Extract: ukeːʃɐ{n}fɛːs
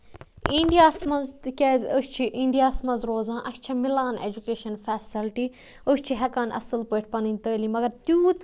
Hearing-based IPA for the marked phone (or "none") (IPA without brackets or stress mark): n